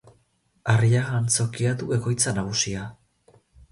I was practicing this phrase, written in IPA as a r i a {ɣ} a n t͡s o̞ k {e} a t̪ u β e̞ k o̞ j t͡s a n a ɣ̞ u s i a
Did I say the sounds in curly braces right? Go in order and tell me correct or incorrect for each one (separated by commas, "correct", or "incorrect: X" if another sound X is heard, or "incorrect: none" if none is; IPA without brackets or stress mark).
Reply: correct, incorrect: i